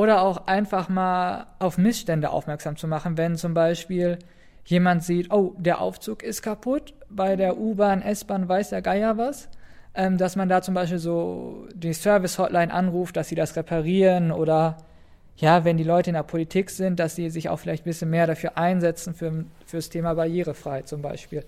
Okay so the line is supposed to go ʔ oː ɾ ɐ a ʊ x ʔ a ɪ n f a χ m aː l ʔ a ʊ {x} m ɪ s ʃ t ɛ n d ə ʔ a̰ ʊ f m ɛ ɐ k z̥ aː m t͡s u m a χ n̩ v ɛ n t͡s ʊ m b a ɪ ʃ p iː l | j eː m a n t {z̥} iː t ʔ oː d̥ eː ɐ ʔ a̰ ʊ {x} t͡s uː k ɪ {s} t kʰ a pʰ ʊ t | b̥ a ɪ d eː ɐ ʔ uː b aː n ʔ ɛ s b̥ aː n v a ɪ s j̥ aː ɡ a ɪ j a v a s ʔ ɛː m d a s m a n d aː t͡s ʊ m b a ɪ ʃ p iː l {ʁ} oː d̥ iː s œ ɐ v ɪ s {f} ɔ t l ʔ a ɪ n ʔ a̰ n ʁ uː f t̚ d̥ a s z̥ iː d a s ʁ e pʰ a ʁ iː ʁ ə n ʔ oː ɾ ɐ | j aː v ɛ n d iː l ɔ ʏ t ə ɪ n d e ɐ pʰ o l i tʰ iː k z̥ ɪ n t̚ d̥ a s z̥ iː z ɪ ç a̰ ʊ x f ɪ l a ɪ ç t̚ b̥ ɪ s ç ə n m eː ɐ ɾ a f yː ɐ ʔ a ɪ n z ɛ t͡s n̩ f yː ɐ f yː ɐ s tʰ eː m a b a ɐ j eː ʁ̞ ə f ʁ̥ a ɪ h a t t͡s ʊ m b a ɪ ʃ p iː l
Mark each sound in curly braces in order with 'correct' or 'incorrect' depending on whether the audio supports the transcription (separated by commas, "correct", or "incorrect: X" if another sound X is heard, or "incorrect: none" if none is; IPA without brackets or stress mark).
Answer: incorrect: f, correct, incorrect: f, correct, incorrect: z, incorrect: h